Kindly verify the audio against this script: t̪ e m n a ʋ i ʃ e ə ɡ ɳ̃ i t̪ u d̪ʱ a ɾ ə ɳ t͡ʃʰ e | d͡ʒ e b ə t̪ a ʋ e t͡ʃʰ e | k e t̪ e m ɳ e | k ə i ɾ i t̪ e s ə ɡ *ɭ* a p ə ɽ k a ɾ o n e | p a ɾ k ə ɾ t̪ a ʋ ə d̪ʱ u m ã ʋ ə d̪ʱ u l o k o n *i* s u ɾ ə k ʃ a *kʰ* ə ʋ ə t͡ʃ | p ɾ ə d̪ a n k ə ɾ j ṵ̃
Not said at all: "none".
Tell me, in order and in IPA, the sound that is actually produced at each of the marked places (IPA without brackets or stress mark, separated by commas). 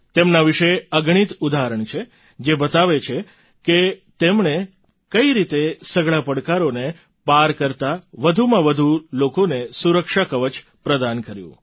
ɭ, e, k